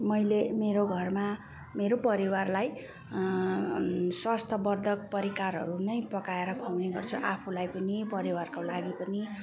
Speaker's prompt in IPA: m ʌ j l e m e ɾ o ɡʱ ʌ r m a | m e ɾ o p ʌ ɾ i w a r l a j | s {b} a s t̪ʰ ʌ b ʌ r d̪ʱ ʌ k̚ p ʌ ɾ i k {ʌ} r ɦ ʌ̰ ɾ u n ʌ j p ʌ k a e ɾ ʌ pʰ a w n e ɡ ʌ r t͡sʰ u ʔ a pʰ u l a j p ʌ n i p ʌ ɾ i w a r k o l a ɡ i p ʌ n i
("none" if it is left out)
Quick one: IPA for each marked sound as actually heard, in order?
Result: w, a

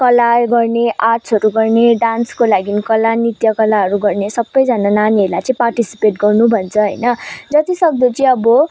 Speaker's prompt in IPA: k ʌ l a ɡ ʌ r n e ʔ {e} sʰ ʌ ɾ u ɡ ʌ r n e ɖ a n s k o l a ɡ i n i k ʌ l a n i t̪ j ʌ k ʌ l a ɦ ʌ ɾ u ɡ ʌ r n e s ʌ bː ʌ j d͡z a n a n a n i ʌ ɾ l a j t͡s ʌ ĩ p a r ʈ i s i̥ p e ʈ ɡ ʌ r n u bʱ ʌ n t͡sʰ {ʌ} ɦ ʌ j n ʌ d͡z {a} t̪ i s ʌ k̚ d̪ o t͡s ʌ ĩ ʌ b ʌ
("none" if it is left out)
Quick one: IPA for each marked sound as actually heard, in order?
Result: a, ʌ, ʌ

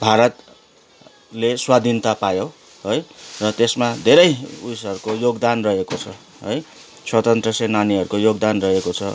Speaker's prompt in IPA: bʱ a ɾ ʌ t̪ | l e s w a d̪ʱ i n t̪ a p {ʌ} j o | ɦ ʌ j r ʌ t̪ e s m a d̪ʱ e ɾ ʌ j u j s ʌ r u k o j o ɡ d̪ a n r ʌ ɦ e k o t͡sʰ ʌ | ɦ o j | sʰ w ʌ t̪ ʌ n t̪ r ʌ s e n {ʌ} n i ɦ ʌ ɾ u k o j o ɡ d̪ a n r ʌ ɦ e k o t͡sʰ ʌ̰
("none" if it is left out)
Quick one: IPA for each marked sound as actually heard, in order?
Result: a, a

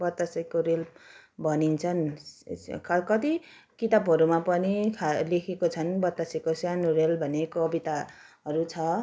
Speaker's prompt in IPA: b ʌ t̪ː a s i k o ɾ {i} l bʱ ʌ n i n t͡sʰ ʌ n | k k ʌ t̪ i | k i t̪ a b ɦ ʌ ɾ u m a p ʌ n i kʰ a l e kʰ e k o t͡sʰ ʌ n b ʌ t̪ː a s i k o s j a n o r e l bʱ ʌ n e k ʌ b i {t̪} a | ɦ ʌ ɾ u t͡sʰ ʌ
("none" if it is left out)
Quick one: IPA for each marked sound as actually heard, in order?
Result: e, t̪

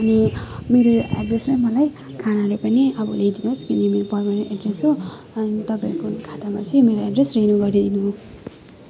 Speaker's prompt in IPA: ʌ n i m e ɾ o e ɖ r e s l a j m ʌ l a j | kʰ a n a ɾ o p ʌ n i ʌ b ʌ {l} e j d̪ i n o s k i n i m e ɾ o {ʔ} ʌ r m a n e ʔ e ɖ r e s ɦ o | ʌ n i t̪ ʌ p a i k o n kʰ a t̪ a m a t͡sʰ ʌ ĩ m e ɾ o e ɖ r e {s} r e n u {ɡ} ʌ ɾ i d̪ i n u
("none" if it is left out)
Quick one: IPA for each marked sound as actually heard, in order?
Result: l, p, s, ɡ

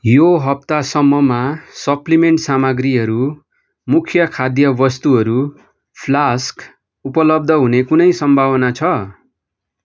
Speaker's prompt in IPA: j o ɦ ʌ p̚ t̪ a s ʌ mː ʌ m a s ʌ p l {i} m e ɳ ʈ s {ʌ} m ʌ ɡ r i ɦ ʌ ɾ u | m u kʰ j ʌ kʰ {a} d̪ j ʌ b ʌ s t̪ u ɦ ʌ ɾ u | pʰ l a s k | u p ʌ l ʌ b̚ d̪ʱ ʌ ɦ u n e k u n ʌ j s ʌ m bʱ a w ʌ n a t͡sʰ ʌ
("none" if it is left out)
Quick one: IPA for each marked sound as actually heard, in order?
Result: i, a, a

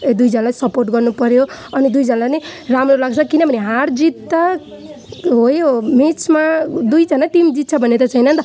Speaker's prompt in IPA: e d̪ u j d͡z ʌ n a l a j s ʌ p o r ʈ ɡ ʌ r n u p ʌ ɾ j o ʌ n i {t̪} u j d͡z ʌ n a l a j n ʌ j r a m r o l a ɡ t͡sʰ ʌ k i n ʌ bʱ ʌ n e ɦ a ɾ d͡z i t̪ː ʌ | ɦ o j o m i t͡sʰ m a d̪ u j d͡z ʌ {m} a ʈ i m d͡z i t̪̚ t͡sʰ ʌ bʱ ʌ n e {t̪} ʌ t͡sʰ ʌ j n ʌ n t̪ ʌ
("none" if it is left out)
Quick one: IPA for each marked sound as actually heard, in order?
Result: d̪, n, t̪

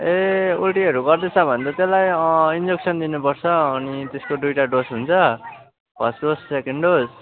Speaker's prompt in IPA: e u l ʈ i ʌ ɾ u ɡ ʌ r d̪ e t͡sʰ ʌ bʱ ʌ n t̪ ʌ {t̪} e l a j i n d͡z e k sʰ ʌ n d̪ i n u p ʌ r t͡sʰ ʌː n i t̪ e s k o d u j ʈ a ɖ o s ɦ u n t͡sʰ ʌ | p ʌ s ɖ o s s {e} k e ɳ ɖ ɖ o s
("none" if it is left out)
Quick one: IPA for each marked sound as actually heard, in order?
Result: t̪, e

